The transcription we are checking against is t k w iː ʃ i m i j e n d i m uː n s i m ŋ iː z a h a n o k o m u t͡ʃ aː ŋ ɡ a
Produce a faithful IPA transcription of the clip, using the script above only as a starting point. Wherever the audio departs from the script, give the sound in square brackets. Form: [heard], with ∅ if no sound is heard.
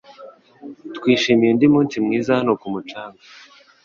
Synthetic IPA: t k w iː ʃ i m i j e n d i m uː n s i m ŋ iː z a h a n o k [u] m u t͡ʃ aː ŋ ɡ a